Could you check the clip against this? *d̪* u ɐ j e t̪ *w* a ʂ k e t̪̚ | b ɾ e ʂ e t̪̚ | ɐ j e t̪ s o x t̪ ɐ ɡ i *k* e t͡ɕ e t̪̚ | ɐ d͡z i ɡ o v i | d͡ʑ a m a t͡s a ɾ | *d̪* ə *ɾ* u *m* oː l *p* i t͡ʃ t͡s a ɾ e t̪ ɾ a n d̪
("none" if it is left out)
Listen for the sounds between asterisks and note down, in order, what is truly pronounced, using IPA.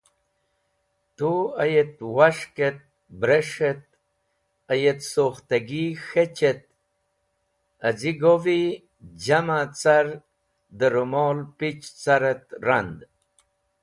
t̪, w, x, d̪, ɾ, m, p

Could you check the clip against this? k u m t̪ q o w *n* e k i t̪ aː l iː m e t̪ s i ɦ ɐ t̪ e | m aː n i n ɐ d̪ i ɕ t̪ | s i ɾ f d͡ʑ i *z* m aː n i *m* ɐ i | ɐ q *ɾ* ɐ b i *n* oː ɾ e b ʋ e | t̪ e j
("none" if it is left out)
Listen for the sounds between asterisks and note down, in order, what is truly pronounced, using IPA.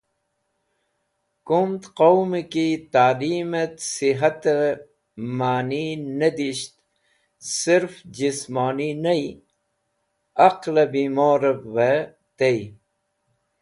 m, s, n, l, m

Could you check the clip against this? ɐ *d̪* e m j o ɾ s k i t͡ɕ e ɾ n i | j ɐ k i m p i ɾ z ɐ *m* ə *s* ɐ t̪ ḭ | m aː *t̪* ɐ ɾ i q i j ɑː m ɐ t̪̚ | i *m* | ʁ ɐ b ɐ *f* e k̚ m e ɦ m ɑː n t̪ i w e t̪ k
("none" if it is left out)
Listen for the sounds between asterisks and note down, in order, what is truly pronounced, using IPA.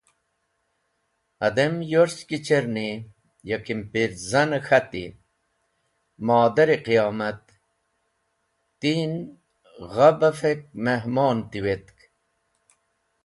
d̪, n, x, d̪, n, f

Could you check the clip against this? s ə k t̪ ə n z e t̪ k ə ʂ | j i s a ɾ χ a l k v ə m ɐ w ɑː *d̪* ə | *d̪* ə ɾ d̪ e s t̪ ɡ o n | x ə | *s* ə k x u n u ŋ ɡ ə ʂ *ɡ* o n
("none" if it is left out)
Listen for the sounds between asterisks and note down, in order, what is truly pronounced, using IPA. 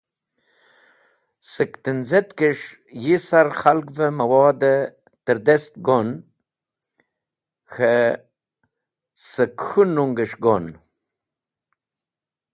d̪, t̪, s, ɡ

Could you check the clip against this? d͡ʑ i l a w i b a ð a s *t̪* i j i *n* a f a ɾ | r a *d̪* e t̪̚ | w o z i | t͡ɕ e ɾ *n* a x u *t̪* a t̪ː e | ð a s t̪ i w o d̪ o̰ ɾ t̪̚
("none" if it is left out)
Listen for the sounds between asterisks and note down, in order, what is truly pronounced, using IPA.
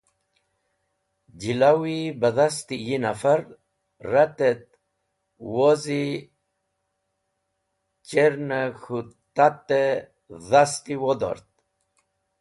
t̪, n, t̪, n, t̪

